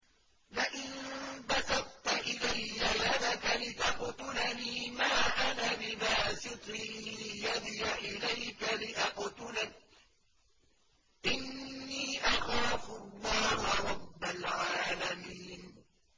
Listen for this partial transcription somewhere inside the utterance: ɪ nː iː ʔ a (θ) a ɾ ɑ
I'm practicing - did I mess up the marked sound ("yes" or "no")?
yes